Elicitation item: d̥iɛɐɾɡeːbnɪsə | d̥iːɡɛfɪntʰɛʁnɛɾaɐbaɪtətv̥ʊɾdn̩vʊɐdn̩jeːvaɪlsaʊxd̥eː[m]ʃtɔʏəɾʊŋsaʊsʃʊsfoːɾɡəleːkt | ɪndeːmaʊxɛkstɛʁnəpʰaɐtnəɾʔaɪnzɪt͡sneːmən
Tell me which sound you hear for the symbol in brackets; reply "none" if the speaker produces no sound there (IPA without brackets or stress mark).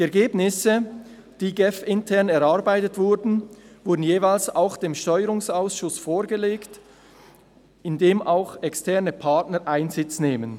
m